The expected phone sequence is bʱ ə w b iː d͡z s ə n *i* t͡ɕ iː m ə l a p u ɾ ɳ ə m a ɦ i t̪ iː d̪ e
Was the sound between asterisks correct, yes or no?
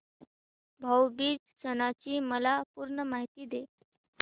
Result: no